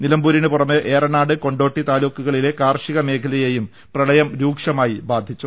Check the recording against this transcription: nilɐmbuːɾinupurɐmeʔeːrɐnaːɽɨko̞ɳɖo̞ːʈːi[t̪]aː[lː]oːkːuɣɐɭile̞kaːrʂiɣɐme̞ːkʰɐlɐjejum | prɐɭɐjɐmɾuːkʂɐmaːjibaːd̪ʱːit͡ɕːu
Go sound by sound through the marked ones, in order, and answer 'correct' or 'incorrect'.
correct, incorrect: l

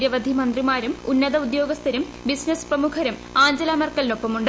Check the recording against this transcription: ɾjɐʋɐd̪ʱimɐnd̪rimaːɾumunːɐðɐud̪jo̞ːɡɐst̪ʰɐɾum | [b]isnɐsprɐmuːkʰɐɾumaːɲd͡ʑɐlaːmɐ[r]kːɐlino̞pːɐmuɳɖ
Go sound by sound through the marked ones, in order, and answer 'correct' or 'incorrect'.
correct, correct

